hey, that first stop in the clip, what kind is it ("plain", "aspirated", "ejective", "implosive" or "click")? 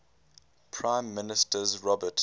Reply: aspirated